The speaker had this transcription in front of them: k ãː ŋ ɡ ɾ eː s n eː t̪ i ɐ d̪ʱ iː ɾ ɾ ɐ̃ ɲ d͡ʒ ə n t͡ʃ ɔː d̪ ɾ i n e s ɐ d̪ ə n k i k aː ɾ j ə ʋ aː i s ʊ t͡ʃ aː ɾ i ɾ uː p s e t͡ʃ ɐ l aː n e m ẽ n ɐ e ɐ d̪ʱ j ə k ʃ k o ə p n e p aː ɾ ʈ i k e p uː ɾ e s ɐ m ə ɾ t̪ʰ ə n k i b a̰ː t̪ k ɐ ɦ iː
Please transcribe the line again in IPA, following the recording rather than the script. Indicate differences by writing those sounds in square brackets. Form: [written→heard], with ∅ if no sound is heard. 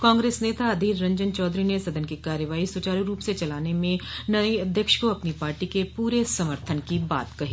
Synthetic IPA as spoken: k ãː ŋ ɡ ɾ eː s n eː t̪ [i→a] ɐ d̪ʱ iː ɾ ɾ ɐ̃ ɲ d͡ʒ ə n t͡ʃ ɔː d̪ ɾ i n e s ɐ d̪ ə n k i k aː ɾ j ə ʋ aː i s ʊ t͡ʃ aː ɾ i ɾ uː p s e t͡ʃ ɐ l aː n e m ẽ n ɐ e ɐ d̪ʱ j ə k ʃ k o [ə→ɐ] p n [e→i] p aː ɾ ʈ i k e p uː ɾ e s ɐ m ə ɾ t̪ʰ ə n k i b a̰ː t̪ k ɐ ɦ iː